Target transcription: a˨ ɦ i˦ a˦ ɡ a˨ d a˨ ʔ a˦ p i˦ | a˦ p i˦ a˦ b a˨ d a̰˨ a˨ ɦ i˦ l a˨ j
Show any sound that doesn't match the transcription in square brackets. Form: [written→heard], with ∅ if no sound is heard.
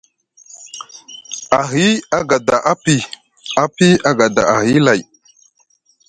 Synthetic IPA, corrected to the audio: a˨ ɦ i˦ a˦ ɡ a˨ d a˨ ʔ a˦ p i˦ | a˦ p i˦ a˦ [b→ɡ] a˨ d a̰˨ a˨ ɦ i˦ l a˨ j